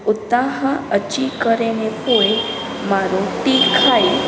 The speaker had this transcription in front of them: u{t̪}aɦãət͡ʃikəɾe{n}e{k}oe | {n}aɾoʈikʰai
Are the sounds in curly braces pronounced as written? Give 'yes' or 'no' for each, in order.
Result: yes, yes, no, no

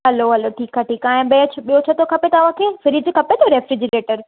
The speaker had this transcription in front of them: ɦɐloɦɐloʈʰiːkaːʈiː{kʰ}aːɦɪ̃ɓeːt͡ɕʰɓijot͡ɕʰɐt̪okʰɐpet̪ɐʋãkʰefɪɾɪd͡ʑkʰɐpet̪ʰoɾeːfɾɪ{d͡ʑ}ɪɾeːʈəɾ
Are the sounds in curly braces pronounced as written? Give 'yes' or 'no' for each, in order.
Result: no, yes

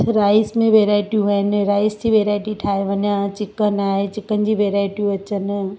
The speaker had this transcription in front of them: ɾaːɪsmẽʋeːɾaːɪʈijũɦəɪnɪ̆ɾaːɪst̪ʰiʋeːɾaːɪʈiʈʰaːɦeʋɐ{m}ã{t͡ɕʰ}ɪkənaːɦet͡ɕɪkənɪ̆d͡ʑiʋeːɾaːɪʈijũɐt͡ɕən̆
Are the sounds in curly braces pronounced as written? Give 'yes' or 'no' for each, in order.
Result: no, no

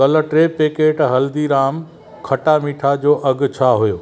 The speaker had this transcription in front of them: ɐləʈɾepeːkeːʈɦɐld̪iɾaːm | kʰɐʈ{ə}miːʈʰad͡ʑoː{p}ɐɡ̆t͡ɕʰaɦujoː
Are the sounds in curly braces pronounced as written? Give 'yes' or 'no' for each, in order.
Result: no, no

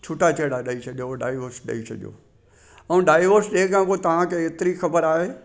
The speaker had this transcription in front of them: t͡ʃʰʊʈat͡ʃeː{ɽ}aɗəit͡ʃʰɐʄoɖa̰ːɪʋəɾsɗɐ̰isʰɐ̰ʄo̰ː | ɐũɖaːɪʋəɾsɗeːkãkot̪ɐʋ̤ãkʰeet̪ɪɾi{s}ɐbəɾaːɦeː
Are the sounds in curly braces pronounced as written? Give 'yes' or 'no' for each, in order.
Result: yes, no

